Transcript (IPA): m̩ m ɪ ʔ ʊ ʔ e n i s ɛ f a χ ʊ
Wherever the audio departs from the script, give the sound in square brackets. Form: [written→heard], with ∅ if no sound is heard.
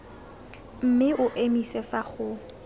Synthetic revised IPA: m̩ m ɪ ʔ ʊ ʔ e [n→m] i s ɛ f a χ ʊ